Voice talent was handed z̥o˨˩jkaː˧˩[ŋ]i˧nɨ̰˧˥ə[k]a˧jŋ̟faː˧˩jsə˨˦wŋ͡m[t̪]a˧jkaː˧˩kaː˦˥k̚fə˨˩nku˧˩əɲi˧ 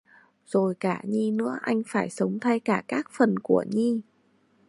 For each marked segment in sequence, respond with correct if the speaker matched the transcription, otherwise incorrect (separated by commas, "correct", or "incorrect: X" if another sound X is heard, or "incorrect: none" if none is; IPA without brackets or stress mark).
incorrect: ɲ, incorrect: ʔ, incorrect: t̪ʰ